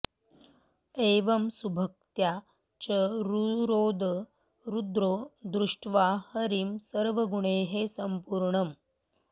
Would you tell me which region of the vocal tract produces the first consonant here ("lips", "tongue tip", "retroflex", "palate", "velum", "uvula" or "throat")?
lips